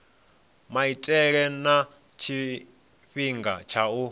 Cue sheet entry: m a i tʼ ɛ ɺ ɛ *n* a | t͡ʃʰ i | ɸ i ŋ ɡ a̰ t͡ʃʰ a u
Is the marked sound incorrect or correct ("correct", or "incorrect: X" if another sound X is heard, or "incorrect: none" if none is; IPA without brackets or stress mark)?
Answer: correct